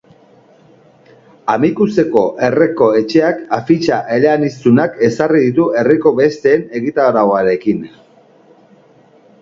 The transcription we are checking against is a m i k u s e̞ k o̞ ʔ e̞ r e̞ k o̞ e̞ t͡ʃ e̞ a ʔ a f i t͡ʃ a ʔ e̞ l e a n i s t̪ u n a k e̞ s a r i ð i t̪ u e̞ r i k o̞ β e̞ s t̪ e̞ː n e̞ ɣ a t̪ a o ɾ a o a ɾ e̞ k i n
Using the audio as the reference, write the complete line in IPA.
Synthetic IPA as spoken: a m i k u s e̞ k o̞ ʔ e̞ r e̞ k o̞ e̞ t͡ʃ e̞ a k a f i t͡ʃ a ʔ e̞ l e a n i s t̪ u n a k e̞ s a r i ð i t̪ u e̞ r i k o̞ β e̞ s t̪ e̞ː n e̞ ɣ i t̪ a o ɾ a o a ɾ e̞ k i n

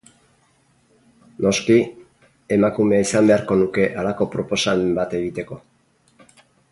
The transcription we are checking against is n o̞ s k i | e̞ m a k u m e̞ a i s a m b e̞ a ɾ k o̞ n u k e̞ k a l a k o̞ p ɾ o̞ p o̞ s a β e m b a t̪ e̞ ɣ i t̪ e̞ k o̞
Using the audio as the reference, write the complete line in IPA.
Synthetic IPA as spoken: n o̞ s k i | e̞ m a k u m e̞ a i s a m b e̞ a ɾ k o̞ n u k e̞ ʔ a l a k o̞ p ɾ o̞ p o̞ s a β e m b a t̪ e̞ ɣ i t̪ e̞ k o̞

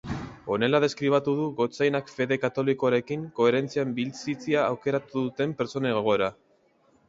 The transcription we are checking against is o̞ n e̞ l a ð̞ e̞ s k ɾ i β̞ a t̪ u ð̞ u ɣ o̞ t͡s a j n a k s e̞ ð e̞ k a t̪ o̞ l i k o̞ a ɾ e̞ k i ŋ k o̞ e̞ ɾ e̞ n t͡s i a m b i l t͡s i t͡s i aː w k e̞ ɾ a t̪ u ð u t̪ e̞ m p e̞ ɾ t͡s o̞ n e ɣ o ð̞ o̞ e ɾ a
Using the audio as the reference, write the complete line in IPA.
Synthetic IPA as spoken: o̞ n e̞ l a ð̞ e̞ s k ɾ i β̞ a t̪ u ð̞ u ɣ o̞ t͡s a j n a k f e̞ ð e̞ k a t̪ o̞ l i k o̞ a ɾ e̞ k i ŋ k o̞ e̞ ɾ e̞ n t͡s i a m b i l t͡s i t͡s i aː w k e̞ ɾ a t̪ u ð u t̪ e̞ m p e̞ ɾ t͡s o̞ n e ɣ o ɣ̞ o̞ e ɾ a

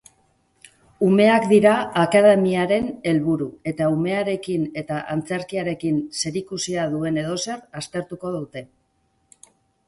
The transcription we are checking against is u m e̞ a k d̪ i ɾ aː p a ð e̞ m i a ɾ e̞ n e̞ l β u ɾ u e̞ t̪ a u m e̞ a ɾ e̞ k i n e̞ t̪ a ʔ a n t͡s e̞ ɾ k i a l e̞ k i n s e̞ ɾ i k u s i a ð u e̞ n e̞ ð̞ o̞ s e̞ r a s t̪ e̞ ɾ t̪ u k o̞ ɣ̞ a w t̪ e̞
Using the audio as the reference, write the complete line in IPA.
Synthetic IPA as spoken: u m e̞ a k d̪ i ɾ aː k a ð e̞ m i a ɾ e̞ n e̞ l β u ɾ u e̞ t̪ a u m e̞ a ɾ e̞ k i n e̞ t̪ a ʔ a n t͡s e̞ ɾ k i a ɾ e̞ k i n s e̞ ɾ i k u s i a ð u e̞ n e̞ ð̞ o̞ s e̞ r a s t̪ e̞ ɾ t̪ u k o̞ ð̞ a w t̪ e̞

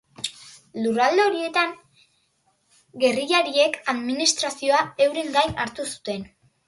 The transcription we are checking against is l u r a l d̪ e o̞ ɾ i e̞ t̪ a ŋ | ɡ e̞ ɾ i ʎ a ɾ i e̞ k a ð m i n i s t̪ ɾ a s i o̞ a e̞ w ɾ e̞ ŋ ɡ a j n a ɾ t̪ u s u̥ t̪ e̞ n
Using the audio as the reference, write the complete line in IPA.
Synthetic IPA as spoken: l u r a l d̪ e o̞ ɾ i e̞ t̪ a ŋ | ɡ e̞ r i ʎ a ɾ i e̞ k a ð m i n i s t̪ ɾ a s i o̞ a e̞ w ɾ e̞ ŋ ɡ a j n a ɾ t̪ u s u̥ t̪ e̞ n

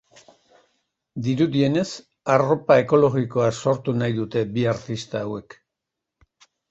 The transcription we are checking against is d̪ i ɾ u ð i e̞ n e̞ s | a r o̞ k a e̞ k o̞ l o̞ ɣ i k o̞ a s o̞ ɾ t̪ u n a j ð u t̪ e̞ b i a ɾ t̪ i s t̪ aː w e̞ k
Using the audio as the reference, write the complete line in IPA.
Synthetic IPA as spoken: d̪ i ɾ u ð i e̞ n e̞ s | a r o̞ p a e̞ k o̞ l o̞ ɣ i k o̞ a s o̞ ɾ t̪ u n a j ð u t̪ e̞ b i a ɾ t̪ i s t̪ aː w e̞ k

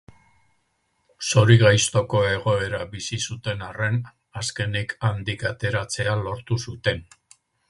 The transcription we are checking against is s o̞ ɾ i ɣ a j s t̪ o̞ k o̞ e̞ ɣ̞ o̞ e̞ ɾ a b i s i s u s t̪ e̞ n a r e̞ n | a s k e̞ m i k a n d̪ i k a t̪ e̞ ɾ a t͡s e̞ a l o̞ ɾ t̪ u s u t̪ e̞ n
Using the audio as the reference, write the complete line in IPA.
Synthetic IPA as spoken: s o̞ ɾ i ɣ a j s t̪ o̞ k o̞ e̞ ɣ̞ o̞ e̞ ɾ a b i s i s u t̪ e̞ n a r e̞ n | a s k e̞ n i k a n d̪ i k a t̪ e̞ ɾ a t͡s e̞ a l o̞ ɾ t̪ u s u t̪ e̞ n

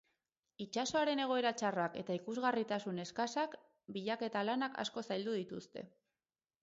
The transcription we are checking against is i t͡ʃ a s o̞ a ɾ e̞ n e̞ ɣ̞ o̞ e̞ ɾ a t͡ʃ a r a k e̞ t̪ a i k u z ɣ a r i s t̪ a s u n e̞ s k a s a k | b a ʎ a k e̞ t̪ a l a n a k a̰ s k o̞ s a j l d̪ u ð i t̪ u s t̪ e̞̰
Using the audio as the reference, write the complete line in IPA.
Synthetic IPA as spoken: i t͡ʃ a s o̞ a ɾ e̞ n e̞ ɣ̞ o̞ e̞ ɾ a t͡ʃ a r a k e̞ t̪ a i k u z ɣ a r i t̪ a s u n e̞ s k a s a k | b i ʎ a k e̞ t̪ a l a n a k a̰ s k o̞ s a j l d̪ u ð i t̪ u s t̪ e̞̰

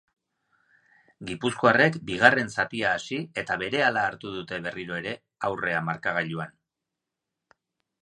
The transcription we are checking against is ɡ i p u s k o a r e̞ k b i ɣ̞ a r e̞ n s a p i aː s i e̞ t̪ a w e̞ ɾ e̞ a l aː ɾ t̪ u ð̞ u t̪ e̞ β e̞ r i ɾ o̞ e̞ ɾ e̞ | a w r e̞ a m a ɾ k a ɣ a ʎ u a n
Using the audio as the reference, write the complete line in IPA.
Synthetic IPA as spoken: ɡ i p u s k o a r e̞ k b i ɣ̞ a r e̞ n s a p i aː s i e̞ t̪ a β e̞ ɾ e̞ a l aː ɾ t̪ u ð̞ u t̪ e̞ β e̞ r i ɾ o̞ e̞ ɾ e̞ | a w r e̞ a m a ɾ k a ɣ a ʎ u a n

